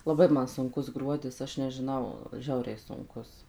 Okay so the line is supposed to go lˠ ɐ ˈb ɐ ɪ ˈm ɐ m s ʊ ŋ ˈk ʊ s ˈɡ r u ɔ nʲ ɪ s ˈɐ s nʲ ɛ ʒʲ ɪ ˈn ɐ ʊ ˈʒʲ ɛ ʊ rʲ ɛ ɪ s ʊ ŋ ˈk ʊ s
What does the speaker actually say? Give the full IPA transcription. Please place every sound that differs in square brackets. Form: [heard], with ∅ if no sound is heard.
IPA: lˠ ɐ ˈb ɐ ɪ ˈm ɐ [n] s ʊ ŋ ˈk ʊ s ˈɡ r u ɔ [dʲ] ɪ s ˈɐ [ʃ] nʲ ɛ ʒʲ ɪ ˈn ɐ ʊ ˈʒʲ ɛ ʊ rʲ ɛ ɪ s ʊ ŋ ˈk ʊ s